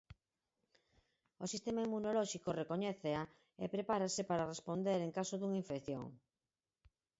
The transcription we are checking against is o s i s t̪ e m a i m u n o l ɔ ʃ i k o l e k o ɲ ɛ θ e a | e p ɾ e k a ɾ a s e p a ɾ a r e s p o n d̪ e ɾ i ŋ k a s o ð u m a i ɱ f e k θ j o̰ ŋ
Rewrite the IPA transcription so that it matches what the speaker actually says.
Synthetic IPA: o s i s t̪ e m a i m u n o l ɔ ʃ i k o r e k o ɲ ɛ θ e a | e p ɾ e p a ɾ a s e p a ɾ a r e s p o n d̪ e ɾ e ŋ k a s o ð u ŋ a i ɱ f e k θ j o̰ ŋ